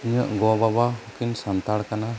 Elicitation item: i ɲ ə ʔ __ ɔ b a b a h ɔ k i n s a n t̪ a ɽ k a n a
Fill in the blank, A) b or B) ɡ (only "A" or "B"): B